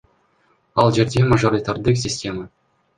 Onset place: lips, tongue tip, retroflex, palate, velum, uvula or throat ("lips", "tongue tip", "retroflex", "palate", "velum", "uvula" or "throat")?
tongue tip